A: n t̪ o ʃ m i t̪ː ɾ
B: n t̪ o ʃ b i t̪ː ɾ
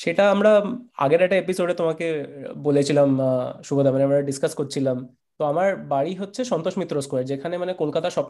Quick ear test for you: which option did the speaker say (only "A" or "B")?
A